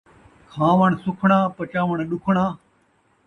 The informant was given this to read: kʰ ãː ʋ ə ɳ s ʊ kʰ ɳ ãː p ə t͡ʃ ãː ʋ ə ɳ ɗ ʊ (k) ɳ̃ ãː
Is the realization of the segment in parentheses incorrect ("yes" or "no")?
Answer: yes